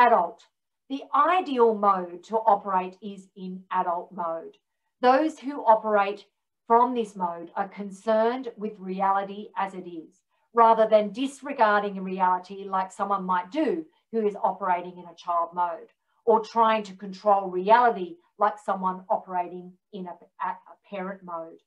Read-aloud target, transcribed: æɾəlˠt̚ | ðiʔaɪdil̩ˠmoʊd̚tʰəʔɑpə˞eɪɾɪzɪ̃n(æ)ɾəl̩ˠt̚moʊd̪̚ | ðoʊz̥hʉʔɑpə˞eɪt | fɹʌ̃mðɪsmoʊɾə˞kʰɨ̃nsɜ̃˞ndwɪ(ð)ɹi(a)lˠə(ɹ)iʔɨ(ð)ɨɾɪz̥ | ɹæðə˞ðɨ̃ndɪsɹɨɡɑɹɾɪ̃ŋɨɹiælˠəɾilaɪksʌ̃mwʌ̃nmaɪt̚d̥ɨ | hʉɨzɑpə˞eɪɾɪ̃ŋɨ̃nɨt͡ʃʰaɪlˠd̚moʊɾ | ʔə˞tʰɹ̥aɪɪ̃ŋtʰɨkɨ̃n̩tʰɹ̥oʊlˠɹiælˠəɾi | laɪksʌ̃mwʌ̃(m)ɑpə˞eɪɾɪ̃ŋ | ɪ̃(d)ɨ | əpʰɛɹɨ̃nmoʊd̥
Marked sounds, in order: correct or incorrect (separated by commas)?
correct, correct, incorrect, incorrect, incorrect, incorrect, incorrect